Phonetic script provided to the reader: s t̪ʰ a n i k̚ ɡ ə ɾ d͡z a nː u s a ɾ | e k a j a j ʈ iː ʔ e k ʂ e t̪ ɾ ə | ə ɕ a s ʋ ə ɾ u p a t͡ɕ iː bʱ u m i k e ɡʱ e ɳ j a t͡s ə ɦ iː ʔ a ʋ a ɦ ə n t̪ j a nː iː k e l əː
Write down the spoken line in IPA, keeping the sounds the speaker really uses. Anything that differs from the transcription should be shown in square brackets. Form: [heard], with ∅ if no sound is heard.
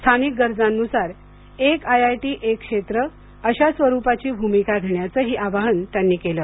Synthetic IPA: s t̪ʰ a n i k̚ ɡ ə ɾ d͡z a nː u s a ɾ | e k a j a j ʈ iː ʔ e k ʂ e t̪ ɾ ə | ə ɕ a s ʋ ə ɾ u p a t͡ɕ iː bʱ u m i k [a] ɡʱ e ɳ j a t͡s ə ɦ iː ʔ a ʋ a ɦ ə n t̪ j a nː iː k e l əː